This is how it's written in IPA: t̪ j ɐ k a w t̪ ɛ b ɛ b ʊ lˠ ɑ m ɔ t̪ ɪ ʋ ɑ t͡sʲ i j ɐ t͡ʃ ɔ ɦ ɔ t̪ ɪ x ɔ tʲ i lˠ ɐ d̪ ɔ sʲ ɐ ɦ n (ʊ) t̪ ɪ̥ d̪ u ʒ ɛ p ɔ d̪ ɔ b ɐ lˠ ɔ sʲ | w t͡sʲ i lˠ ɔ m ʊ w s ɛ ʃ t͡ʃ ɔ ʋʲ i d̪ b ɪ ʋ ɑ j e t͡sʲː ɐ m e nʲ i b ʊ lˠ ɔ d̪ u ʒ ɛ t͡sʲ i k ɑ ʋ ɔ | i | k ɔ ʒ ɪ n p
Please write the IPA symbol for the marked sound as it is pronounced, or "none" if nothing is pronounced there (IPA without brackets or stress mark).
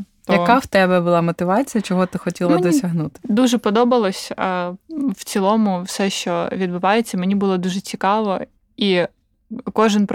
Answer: u